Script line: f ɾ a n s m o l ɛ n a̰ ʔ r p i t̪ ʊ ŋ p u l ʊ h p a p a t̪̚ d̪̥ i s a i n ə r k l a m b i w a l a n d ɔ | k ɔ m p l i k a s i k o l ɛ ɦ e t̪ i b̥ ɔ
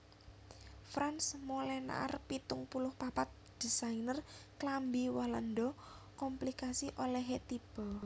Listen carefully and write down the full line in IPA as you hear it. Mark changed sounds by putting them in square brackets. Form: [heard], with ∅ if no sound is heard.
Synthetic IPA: f ɾ a n s m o l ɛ n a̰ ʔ r p i t̪ ʊ ŋ p u l ʊ h p a p a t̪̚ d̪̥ i s a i n ə r k l a m b i w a l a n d ɔ | k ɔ m p l i k a s i [ʔ] o l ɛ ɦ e t̪ i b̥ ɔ